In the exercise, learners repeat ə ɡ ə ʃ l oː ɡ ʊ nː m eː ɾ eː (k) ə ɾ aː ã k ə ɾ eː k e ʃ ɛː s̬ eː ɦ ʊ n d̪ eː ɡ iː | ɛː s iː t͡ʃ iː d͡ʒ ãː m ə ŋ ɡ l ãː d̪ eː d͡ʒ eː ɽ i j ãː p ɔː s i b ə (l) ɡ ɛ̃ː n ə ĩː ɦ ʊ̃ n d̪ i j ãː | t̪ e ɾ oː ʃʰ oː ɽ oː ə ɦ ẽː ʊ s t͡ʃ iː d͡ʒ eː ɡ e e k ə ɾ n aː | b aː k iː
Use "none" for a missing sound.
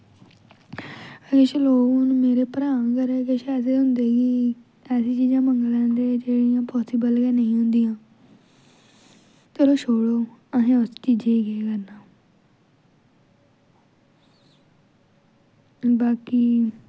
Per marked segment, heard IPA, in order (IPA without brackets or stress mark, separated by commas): p, l